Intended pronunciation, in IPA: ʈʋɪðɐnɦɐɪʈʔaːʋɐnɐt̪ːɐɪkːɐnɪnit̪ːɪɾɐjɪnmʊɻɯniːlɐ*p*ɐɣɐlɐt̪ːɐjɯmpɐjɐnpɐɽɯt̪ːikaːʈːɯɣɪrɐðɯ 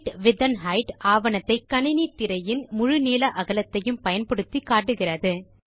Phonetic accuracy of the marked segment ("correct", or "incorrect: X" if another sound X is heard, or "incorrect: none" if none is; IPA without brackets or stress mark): incorrect: ʔ